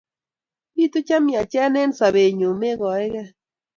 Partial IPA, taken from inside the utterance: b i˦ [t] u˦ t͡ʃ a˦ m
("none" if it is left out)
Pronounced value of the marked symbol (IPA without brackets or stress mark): t